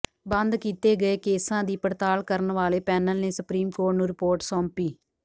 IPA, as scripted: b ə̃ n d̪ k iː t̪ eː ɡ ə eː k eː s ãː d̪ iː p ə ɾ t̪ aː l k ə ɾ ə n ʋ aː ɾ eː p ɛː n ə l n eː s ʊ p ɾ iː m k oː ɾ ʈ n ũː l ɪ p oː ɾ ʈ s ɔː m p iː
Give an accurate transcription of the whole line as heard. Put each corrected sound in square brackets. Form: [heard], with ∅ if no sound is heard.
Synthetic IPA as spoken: b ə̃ n d̪ k iː t̪ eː ɡ ə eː k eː s ãː d̪ iː p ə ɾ t̪ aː l k ə ɾ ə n ʋ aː [l] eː p ɛː n ə l n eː s ʊ p ɾ iː m k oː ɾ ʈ n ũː [ɾ] ɪ p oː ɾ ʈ s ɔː m p iː